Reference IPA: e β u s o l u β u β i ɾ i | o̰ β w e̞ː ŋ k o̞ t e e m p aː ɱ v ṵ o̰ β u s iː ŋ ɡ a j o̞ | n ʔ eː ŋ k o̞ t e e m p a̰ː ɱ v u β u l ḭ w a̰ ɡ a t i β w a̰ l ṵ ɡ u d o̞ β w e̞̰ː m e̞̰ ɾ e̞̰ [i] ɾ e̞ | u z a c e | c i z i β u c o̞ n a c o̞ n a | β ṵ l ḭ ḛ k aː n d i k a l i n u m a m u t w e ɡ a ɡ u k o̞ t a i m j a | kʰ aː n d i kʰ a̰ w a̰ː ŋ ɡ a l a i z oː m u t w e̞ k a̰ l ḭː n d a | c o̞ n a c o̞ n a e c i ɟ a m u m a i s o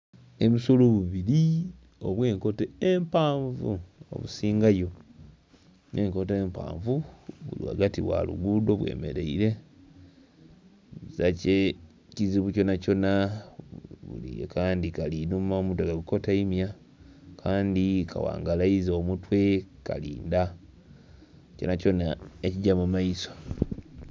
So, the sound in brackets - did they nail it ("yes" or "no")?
yes